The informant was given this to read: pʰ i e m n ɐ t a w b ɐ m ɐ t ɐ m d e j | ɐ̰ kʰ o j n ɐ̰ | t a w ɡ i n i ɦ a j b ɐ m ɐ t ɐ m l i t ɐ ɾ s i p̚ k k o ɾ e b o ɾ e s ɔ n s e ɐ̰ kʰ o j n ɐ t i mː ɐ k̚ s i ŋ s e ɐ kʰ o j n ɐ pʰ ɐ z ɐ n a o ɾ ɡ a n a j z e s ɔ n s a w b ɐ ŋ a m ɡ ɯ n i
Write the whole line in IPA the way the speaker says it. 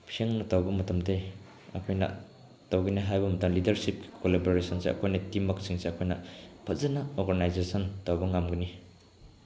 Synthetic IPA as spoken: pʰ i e ŋ n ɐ t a w b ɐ m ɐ t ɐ m d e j | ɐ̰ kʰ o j n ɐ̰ | t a w ɡ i n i ɦ a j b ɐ m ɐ t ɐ m l i d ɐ ɾ s i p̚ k k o l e b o ɾ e s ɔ n s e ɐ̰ kʰ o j n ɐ t i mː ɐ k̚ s i ŋ s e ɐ kʰ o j n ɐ pʰ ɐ z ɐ n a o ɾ ɡ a n a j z e s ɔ n t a w b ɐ ŋ a m ɡ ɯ n i